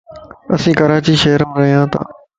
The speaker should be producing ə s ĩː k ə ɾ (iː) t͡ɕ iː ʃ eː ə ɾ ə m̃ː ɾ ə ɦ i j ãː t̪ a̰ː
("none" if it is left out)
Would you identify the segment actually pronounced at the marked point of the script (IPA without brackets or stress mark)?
aː